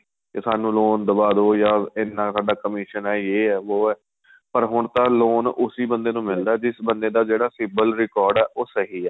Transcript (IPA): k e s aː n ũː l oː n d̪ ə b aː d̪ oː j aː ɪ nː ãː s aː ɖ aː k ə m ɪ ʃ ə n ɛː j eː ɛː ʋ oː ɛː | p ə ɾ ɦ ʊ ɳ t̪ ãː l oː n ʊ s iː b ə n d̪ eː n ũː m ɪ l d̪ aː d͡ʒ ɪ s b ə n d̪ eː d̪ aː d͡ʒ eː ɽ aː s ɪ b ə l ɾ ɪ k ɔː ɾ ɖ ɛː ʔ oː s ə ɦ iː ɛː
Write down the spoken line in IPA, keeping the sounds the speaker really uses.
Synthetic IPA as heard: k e s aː n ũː l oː n d̪ ə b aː d̪ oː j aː ɪ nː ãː s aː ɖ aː k ə m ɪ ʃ ə n ɛː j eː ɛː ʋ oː ɛː | p ə ɾ ɦ ʊ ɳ t̪ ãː l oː n ʊ s iː b ə n d̪ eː n ũː m ɪ l d̪ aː d͡ʒ ɪ s b ə n d̪ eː d̪ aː d͡ʒ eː ɽ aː s ɪ b ə l ɾ ɪ k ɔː ɾ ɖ ɛː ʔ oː s ə ɦ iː ɛː